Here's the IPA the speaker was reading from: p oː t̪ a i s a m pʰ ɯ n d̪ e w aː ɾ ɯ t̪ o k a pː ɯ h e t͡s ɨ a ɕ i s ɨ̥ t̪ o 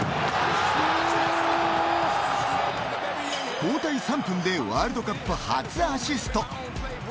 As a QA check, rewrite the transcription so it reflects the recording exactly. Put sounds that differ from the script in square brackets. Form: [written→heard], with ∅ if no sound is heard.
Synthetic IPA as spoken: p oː t̪ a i s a m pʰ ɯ n d̪ e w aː ɾ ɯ [t̪→d̪] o k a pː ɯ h [e→a] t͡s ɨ a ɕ i s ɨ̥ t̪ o